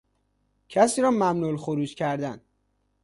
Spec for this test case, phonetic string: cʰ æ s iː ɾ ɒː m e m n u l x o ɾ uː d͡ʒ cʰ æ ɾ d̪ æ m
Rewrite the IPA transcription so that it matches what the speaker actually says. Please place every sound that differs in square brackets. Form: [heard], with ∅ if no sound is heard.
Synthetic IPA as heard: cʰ æ s iː ɾ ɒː m [æ] m n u l x o ɾ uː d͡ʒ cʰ æ ɾ d̪ æ [n]